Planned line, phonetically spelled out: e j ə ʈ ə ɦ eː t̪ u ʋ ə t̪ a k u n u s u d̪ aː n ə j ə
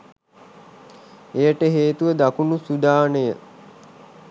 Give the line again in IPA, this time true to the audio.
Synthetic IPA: e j ə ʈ ə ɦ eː t̪ u ʋ ə d̪ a k u n u s u d̪ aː n ə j ə

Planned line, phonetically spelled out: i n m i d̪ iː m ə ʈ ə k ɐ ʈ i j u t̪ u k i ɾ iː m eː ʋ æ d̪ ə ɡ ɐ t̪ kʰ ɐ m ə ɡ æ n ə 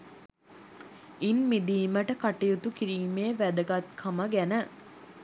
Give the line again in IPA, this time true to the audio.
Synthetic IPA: i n m i d̪ iː m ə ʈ ə k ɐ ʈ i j u t̪ u k i ɾ iː m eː ʋ æ d̪ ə ɡ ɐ t̪ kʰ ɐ m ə ɡ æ n ə

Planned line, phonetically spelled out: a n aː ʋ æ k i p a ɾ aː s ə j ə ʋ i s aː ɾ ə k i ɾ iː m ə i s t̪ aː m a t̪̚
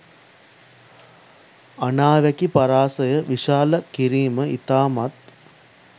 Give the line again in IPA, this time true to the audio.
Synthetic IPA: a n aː ʋ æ k i p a ɾ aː s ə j ə ʋ i ʃ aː l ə k i ɾ iː m ə i t̪ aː m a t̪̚

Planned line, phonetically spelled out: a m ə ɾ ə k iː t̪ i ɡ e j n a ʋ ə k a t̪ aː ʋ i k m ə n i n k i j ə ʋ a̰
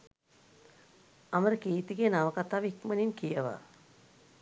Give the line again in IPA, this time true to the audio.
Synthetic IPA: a m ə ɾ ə k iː t̪ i ɡ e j n a ʋ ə k a t̪ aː ʋ i k m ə n i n k i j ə ʋ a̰

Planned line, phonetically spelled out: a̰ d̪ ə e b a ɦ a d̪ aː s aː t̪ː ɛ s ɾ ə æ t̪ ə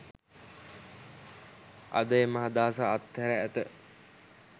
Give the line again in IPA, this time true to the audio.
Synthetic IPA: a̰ d̪ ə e m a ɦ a d̪ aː s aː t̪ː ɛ ɾ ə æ t̪ ə

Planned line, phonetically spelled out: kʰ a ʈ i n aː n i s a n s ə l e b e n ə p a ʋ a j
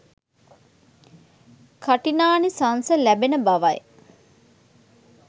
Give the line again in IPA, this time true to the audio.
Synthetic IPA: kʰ a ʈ i n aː n i s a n s ə l æ b e n ə b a ʋ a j

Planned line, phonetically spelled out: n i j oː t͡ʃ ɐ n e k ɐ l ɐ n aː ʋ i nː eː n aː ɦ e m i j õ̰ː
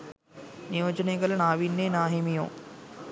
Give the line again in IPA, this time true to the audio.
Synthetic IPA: n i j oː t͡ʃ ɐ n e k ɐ l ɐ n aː ʋ i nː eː n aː ɦ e m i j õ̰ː

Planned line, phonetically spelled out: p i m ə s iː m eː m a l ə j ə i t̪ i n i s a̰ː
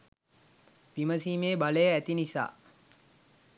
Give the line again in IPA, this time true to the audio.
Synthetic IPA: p i m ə s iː m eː b a l ə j ə æ t̪ i n i s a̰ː

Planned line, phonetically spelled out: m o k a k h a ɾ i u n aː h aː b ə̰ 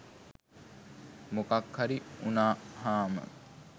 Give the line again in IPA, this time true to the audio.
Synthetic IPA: m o k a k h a ɾ i u n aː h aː m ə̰

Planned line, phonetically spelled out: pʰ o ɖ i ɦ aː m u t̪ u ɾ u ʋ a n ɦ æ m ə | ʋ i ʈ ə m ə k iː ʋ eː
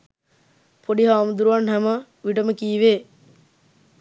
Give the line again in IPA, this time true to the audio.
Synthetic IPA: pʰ o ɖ i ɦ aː m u d̪ u ɾ u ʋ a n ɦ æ m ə | ʋ i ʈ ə m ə k iː ʋ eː

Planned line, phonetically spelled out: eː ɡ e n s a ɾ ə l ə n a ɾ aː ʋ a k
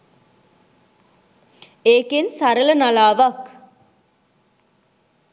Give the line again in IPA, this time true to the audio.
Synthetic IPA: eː k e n s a ɾ ə l ə n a l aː ʋ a k

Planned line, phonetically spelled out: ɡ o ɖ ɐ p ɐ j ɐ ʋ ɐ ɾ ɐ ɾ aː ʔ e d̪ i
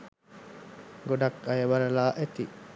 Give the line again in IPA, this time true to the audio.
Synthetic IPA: ɡ o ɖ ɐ k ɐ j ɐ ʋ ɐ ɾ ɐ l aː ʔ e t̪ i

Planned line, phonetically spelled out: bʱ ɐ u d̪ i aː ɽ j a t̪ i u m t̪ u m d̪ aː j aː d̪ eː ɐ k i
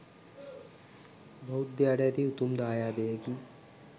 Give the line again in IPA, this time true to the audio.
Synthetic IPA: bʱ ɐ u d̪ j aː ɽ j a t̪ i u t̪ u m d̪ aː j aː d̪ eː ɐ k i

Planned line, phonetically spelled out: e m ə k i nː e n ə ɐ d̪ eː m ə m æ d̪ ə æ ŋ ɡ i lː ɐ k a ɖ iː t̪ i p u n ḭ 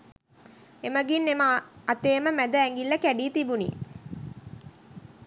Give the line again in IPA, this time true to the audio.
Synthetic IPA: e m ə ɡ i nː e m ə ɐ t̪ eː m ə m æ d̪ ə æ ŋ ɡ i lː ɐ k æ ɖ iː t̪ i b u n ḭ

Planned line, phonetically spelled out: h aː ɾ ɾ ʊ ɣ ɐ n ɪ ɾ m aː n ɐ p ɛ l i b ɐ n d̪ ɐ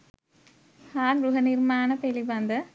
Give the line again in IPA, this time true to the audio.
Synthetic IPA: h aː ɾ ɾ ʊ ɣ ɐ n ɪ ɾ m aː n ɐ p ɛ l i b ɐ n d̪ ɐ

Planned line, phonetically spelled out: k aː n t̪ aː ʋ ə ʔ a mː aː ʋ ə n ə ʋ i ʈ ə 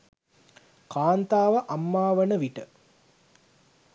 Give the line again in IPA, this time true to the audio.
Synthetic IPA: k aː n t̪ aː ʋ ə ʔ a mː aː ʋ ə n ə ʋ i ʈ ə

